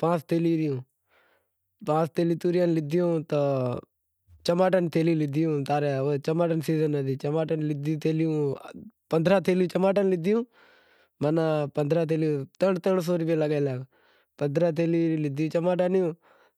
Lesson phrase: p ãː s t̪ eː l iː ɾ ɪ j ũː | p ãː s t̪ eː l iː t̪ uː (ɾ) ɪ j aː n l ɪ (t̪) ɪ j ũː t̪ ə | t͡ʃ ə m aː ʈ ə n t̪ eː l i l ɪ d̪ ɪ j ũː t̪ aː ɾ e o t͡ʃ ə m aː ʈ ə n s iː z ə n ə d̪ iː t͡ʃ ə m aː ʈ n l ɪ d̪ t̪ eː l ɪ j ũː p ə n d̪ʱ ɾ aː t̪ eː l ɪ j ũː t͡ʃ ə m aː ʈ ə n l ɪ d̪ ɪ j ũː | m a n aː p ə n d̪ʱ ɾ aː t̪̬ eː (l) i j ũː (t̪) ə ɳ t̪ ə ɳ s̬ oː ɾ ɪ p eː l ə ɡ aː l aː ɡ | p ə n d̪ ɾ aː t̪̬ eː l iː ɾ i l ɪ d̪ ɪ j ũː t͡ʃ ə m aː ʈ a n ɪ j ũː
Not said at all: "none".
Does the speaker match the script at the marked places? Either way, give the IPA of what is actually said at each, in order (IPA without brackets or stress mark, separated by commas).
ɾ, d̪, l, t̪